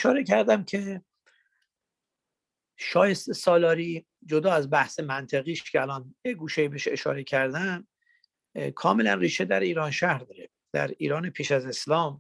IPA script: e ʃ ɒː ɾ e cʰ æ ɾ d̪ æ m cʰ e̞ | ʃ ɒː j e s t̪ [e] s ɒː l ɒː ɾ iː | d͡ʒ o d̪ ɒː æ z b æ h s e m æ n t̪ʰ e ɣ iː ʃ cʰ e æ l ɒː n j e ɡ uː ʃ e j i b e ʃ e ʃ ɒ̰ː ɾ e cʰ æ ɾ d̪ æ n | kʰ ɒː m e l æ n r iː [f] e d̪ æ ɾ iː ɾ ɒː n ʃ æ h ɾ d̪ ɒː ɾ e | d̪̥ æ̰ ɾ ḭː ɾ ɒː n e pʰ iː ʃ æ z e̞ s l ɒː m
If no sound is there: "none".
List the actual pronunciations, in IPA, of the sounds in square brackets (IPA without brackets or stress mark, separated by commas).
e, ʃ